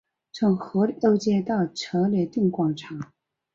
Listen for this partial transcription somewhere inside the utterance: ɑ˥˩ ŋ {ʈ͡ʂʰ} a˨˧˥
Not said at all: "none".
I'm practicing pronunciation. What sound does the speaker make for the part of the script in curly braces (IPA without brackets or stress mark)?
ʈ͡ʂʰ